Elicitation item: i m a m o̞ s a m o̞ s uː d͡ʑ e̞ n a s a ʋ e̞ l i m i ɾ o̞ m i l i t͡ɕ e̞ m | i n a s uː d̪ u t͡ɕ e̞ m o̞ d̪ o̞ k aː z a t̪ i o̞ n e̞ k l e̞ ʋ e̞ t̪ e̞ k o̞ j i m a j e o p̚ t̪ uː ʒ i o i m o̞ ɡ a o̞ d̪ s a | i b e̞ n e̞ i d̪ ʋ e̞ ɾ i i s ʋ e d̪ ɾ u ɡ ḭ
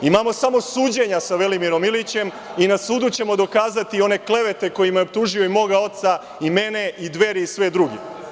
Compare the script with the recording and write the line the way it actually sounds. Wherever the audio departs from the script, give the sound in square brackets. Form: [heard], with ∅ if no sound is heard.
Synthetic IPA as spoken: i m a m o̞ s a m o̞ s uː d͡ʑ e̞ [ɲ] a s a ʋ e̞ l i m i ɾ o̞ m i l i t͡ɕ e̞ m | i n a s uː d̪ u t͡ɕ e̞ m o̞ d̪ o̞ k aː z a t̪ i o̞ n e̞ k l e̞ ʋ e̞ t̪ e̞ k o̞ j i m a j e o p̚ t̪ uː ʒ i o i m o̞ ɡ a o̞ [t̪] s a | i [m] e̞ n e̞ i d̪ ʋ e̞ ɾ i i s ʋ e d̪ ɾ u ɡ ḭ